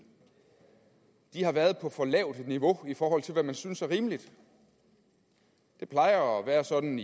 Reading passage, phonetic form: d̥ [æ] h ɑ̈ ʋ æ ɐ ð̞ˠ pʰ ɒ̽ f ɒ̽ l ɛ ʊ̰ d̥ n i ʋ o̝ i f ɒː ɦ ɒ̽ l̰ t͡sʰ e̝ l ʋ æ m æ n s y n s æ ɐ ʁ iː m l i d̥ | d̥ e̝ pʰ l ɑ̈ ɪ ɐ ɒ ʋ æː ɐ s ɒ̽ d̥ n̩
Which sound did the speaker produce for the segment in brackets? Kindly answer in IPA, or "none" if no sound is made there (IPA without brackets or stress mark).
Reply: i